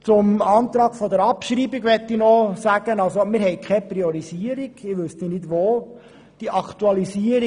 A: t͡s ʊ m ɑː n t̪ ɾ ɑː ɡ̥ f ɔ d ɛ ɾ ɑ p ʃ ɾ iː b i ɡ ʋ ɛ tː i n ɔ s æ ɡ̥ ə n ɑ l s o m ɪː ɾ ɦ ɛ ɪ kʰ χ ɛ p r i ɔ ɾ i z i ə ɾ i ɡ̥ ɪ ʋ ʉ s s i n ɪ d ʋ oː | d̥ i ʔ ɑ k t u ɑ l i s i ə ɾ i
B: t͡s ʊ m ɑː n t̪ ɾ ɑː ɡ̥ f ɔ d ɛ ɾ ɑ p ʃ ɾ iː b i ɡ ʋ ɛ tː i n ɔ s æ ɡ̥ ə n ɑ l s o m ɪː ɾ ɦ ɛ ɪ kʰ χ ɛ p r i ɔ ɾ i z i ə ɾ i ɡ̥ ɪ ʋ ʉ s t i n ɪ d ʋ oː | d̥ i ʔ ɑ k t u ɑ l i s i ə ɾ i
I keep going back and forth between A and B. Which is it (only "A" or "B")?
B